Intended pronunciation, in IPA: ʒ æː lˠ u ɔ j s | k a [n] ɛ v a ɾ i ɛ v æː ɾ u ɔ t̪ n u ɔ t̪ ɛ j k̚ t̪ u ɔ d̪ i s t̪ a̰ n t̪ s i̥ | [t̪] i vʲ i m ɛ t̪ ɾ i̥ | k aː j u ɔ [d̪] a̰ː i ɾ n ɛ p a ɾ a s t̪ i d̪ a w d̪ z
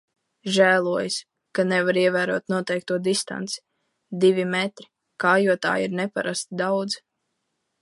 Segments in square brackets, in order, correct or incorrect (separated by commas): correct, incorrect, incorrect